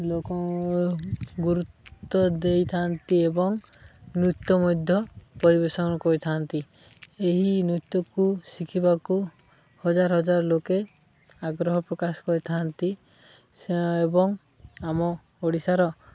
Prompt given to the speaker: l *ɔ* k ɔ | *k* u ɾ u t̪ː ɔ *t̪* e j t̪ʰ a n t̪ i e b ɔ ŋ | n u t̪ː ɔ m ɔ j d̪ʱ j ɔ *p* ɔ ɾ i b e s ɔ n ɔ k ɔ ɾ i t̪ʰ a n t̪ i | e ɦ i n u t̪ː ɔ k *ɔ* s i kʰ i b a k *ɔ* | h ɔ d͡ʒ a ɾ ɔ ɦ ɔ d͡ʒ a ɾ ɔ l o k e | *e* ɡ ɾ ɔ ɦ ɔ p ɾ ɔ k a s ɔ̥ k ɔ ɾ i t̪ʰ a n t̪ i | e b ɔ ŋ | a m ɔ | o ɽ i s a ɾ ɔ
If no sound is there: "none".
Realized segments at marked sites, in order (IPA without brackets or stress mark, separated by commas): o, ɡ, d̪, p, u, u, a